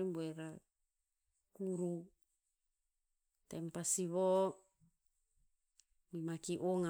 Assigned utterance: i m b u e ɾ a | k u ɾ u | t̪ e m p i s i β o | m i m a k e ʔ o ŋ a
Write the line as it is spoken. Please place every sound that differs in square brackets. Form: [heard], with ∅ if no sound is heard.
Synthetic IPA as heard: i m b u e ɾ a | k u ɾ u | t̪ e m p [a] s i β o | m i m a k [i] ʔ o ŋ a